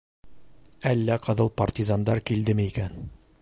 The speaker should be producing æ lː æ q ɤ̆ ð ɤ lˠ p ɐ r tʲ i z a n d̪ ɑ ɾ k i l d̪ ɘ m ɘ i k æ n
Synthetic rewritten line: æ lː æ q ɤ̆ ð ɤ lˠ p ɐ r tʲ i z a n d̪ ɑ ɾ k i l d̪ ɘ m ɘ i k æ n